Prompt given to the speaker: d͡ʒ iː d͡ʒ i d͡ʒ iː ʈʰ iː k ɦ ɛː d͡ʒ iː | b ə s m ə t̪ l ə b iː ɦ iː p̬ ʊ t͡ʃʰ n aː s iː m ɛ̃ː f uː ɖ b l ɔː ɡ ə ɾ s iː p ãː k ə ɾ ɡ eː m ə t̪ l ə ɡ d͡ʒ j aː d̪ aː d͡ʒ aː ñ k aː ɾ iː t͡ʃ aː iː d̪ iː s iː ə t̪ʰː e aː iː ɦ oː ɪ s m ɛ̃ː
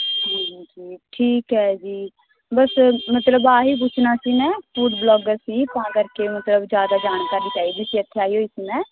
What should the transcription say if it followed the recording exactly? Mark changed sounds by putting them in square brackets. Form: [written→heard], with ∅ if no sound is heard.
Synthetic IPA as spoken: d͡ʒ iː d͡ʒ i d͡ʒ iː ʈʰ iː k ɦ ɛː d͡ʒ iː | b ə s m ə t̪ l ə b [iː→aː] ɦ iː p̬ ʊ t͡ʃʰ n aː s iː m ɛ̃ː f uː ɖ b l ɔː ɡ ə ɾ s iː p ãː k ə ɾ [ɡ→k] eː m ə t̪ l ə [ɡ→b] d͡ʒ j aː d̪ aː d͡ʒ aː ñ k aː ɾ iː t͡ʃ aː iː d̪ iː s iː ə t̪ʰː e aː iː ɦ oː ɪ s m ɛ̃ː